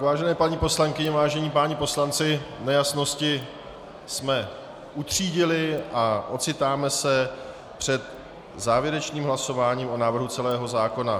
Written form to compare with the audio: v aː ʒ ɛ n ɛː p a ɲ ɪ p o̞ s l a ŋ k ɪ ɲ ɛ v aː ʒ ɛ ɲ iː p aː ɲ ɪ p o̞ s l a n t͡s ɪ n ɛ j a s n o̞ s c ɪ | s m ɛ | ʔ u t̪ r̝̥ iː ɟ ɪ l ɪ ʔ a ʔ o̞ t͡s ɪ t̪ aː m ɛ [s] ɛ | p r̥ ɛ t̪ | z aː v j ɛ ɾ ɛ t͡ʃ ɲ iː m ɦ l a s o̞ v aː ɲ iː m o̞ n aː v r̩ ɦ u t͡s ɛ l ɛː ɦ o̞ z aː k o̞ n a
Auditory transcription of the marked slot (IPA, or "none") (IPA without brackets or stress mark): s